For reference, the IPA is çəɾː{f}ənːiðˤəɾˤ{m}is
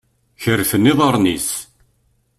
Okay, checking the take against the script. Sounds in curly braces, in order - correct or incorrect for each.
correct, incorrect

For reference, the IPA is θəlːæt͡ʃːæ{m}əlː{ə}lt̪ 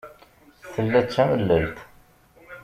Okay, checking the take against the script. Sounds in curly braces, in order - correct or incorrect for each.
correct, correct

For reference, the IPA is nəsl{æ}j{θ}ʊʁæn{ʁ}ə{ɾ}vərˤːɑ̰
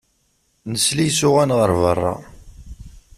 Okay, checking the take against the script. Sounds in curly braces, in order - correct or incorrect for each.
incorrect, incorrect, correct, correct

